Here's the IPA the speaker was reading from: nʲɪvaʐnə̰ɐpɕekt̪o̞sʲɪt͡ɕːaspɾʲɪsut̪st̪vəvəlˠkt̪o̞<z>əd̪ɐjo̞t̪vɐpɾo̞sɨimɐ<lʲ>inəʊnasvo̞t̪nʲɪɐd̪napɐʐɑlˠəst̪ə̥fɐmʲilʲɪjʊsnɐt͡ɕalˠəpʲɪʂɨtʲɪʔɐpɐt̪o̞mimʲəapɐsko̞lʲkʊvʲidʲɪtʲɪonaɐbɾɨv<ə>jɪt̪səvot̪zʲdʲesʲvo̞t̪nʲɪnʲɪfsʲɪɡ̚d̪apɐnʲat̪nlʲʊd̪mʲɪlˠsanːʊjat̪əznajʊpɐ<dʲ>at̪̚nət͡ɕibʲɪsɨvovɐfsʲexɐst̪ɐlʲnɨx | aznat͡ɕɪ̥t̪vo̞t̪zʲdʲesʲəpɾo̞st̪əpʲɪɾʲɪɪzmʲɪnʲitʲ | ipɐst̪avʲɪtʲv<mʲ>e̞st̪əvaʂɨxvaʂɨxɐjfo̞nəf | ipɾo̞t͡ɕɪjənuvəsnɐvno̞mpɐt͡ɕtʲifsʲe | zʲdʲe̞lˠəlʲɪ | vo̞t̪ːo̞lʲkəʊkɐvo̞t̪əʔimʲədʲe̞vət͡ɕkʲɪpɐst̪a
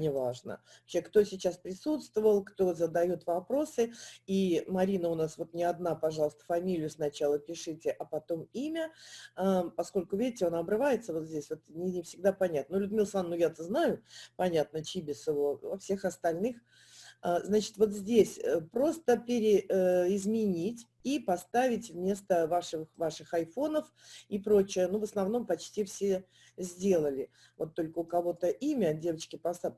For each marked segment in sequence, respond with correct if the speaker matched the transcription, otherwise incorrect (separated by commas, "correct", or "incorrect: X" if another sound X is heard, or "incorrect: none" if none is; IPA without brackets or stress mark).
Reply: correct, incorrect: ɾʲ, incorrect: a, incorrect: nʲ, correct